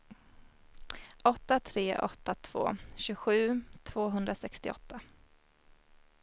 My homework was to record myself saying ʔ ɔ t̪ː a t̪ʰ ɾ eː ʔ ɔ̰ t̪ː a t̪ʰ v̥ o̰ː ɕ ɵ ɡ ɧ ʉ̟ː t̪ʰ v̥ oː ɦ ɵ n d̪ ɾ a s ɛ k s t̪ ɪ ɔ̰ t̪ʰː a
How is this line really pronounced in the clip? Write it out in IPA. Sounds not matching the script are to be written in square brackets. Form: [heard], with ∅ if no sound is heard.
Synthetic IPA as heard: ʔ ɔ t̪ː a t̪ʰ ɾ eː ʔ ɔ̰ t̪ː a t̪ʰ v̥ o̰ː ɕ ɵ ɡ ɧ ʉ̟ː t̪ʰ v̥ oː ɦ ɵ n d̪ ɾ a s ɛ k s t̪ ɪ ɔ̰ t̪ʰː a